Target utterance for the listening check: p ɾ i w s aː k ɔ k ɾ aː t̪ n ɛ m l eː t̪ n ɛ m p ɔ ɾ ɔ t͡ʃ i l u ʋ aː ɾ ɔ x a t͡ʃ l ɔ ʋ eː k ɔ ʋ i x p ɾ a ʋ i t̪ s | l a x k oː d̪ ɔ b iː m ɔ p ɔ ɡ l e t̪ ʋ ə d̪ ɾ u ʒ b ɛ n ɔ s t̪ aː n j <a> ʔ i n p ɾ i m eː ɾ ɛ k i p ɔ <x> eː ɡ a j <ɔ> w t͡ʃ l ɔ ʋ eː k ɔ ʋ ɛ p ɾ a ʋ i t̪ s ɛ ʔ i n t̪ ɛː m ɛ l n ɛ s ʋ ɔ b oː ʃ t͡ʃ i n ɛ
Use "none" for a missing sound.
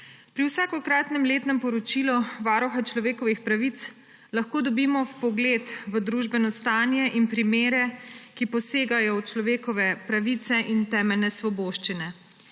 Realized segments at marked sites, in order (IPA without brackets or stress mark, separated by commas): ɛ, s, ɔ